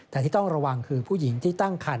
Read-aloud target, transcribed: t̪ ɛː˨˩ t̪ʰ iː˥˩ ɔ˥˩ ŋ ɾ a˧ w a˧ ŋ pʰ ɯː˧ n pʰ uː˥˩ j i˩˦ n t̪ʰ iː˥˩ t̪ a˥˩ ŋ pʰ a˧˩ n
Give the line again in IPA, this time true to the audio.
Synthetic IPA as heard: t̪ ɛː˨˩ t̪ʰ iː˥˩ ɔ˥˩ ŋ ɾ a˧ w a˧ ŋ kʰ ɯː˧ pʰ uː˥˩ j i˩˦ ŋ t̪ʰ iː˥˩ t̪ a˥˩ ŋ kʰ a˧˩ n

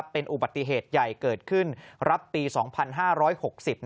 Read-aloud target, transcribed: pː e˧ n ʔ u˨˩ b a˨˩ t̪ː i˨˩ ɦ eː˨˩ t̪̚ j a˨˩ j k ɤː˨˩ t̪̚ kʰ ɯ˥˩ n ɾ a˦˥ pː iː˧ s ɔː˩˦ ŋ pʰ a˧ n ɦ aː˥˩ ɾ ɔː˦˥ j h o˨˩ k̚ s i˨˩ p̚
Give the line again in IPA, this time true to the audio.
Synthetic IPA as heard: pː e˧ n ʔ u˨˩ b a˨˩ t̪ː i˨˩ ɦ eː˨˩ t̪̚ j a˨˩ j k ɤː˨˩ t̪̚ kʰ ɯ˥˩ n ɾ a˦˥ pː iː˧ s ɔː˩˦ ŋ pʰ a˧ n ɦ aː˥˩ ɾ ɔː˦˥ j h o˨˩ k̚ s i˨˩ p̚

